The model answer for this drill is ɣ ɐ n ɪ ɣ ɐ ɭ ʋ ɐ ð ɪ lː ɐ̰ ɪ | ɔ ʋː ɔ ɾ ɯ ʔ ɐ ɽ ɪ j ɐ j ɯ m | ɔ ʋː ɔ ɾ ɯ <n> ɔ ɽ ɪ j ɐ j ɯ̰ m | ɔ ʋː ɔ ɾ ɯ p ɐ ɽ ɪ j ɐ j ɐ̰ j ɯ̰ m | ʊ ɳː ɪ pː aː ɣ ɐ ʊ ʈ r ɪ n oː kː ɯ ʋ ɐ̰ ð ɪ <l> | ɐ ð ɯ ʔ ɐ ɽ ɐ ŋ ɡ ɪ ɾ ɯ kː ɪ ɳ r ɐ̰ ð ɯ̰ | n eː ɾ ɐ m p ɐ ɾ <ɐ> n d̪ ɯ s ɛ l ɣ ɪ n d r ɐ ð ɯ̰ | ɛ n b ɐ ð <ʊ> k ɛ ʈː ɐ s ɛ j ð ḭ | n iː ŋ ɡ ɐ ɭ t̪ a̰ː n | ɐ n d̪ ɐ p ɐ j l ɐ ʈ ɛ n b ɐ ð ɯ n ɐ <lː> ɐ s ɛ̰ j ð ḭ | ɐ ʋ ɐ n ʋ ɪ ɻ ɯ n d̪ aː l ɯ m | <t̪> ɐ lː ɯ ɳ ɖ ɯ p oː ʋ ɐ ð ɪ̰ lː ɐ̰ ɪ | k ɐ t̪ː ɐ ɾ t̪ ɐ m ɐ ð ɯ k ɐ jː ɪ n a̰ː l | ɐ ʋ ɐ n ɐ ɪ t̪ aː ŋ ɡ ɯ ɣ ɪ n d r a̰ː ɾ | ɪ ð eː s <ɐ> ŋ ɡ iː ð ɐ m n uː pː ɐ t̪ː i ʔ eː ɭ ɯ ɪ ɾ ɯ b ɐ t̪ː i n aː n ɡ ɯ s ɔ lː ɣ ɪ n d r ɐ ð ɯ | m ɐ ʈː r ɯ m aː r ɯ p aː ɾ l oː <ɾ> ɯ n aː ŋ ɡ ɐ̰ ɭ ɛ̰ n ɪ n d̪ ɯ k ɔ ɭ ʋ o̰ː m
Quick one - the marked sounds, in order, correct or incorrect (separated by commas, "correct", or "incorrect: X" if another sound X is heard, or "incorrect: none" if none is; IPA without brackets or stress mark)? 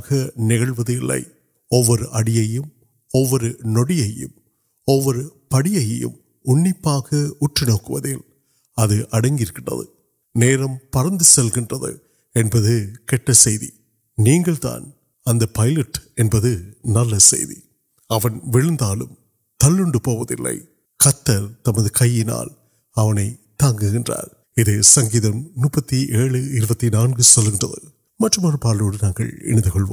correct, correct, correct, incorrect: ɯ, correct, correct, correct, incorrect: ɽ